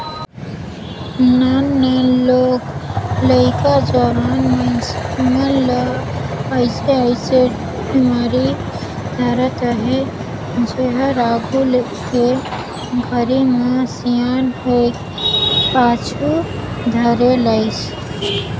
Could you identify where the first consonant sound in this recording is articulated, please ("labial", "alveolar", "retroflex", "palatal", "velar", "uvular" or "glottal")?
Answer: alveolar